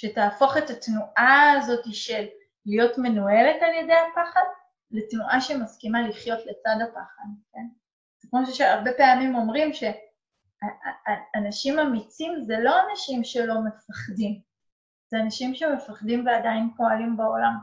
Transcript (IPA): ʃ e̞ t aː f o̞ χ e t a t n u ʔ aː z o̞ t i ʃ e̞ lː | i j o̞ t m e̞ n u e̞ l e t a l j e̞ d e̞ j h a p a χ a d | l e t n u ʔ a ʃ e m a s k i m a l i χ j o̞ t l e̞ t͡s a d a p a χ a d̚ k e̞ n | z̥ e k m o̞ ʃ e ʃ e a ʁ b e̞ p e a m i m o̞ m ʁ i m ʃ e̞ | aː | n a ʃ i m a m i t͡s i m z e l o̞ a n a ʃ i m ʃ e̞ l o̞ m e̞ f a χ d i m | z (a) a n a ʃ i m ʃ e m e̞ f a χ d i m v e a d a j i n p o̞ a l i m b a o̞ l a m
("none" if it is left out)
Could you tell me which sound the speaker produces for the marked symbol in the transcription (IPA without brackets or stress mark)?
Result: e